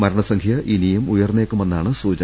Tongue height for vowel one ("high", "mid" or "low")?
low